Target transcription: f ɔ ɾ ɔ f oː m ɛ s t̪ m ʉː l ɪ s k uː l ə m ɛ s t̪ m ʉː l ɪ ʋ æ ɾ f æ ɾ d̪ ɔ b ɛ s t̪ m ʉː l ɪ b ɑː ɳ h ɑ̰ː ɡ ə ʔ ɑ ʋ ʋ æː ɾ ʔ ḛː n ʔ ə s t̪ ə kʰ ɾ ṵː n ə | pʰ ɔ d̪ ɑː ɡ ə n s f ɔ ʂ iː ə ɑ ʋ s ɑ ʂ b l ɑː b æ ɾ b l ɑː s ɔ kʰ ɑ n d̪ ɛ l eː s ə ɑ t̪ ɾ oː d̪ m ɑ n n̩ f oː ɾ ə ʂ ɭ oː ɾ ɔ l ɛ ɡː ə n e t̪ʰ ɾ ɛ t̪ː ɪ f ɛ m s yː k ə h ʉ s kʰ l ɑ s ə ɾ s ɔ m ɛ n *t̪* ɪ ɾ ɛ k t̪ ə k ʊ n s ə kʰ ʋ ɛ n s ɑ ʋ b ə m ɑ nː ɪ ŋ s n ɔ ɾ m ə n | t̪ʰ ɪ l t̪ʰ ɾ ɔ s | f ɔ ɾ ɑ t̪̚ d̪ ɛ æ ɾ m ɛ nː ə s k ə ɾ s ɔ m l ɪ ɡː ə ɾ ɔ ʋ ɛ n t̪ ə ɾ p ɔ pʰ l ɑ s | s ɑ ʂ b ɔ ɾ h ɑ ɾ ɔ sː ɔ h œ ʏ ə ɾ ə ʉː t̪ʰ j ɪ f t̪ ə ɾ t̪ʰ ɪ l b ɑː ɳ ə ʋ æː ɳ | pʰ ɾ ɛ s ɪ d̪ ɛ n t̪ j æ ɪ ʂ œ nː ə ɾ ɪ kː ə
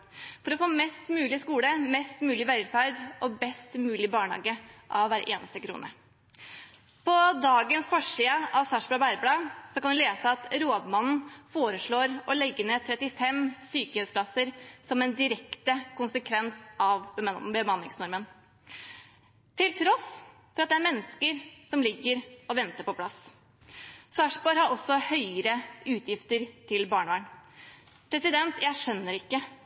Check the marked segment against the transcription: incorrect: d̪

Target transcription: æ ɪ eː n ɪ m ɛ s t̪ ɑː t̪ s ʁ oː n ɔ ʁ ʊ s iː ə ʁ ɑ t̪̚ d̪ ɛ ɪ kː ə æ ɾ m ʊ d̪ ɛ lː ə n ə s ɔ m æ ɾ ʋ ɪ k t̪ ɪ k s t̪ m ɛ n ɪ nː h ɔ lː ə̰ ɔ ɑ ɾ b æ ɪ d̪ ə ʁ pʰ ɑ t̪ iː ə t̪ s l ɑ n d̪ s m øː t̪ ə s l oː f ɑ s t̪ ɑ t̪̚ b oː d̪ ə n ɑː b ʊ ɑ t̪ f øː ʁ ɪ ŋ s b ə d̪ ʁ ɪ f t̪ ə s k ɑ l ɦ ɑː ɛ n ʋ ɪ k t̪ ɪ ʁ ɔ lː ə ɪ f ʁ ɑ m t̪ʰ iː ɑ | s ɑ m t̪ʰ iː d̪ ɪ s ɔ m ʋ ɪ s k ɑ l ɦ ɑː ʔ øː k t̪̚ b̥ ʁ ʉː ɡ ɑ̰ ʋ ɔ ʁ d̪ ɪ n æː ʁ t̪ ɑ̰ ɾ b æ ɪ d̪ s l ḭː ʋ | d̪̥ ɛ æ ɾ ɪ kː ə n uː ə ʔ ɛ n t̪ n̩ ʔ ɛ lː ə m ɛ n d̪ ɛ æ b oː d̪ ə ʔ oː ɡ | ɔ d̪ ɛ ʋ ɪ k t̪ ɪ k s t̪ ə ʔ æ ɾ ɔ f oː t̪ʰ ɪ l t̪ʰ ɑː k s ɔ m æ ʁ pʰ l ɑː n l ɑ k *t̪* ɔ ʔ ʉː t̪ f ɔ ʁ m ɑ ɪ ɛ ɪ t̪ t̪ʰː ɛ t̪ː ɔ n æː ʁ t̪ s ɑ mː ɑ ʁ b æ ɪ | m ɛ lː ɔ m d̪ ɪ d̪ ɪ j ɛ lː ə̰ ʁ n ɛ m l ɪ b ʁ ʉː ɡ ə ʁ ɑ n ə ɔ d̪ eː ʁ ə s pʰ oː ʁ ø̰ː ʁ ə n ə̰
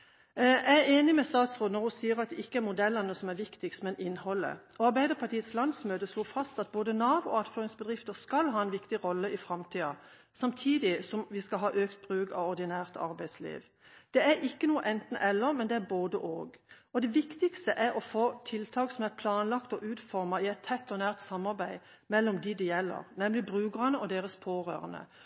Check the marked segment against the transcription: correct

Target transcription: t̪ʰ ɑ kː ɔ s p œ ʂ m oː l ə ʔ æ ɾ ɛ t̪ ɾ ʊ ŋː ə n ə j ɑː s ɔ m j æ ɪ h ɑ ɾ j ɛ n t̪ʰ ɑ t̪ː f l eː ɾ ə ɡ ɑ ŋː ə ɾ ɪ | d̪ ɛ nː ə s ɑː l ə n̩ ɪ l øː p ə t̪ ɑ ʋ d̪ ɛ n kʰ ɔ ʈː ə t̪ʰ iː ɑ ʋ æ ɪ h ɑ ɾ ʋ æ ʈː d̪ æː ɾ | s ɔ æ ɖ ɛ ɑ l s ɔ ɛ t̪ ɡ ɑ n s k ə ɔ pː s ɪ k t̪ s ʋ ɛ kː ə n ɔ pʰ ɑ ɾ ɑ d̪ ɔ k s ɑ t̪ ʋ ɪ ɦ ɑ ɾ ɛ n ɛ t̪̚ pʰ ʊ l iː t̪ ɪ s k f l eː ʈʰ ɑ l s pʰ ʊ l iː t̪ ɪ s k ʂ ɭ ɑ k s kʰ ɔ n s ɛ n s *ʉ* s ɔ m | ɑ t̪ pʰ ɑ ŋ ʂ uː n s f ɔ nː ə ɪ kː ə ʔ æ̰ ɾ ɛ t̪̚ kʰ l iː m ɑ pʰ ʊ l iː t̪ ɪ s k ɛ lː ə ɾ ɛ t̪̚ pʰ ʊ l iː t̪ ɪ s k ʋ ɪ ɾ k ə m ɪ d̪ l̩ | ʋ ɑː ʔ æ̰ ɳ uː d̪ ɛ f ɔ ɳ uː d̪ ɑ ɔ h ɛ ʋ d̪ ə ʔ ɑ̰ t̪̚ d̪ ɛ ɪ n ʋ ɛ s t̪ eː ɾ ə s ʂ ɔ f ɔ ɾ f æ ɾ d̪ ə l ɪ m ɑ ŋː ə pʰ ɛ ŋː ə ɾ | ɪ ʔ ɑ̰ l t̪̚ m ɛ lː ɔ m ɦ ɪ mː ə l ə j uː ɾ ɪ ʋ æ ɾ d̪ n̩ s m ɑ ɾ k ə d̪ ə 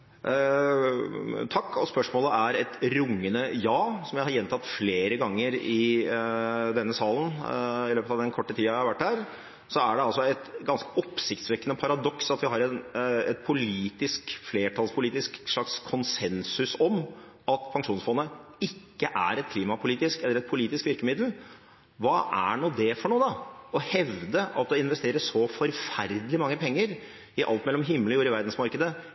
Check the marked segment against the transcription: correct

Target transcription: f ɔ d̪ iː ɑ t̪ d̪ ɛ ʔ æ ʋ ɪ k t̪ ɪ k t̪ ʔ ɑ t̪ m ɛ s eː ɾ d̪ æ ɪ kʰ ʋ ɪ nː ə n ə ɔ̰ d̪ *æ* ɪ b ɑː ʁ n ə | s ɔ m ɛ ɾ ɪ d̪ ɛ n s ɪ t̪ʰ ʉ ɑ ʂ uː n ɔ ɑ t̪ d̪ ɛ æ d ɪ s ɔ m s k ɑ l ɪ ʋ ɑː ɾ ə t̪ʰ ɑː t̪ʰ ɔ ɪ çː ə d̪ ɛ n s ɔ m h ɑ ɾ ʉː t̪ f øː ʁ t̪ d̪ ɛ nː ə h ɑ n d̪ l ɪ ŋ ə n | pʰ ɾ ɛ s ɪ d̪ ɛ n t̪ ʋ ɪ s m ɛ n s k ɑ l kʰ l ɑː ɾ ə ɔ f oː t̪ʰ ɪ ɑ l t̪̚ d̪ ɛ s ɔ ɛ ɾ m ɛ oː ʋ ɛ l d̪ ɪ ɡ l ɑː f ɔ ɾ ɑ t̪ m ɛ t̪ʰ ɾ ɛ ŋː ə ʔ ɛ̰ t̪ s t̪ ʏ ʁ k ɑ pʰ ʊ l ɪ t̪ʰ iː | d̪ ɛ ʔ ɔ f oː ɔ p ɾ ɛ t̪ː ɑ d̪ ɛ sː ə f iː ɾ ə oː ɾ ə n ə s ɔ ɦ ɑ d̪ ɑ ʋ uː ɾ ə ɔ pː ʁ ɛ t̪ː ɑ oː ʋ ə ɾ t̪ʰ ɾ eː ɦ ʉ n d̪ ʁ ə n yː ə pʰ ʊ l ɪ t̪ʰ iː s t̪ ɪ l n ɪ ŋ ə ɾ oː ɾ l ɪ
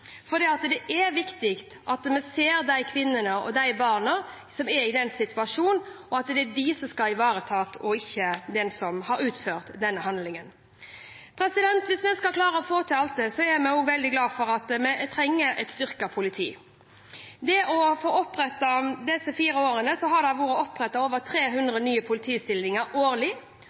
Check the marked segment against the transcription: correct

